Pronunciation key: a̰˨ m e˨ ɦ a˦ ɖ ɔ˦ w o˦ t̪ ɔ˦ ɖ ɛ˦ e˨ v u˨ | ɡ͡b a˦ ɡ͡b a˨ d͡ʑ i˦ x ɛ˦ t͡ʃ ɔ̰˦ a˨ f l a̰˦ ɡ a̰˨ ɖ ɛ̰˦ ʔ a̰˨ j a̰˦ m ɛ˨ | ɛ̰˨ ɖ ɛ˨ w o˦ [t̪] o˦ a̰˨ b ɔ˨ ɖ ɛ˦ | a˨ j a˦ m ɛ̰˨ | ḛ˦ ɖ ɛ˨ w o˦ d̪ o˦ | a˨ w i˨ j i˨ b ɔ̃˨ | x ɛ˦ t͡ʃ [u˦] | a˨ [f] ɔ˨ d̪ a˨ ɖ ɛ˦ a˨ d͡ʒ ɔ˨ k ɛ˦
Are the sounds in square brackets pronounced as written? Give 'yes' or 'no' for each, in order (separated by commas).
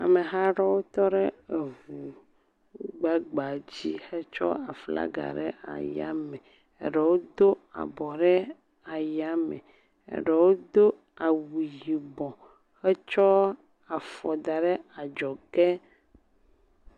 no, no, yes